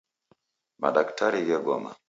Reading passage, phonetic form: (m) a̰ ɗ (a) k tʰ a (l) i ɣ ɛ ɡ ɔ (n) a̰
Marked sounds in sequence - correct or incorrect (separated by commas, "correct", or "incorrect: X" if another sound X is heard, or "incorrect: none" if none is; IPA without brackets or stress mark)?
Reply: correct, correct, incorrect: ɾ, incorrect: m